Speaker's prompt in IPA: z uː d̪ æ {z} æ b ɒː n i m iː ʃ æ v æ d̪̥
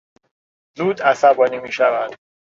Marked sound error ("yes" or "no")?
yes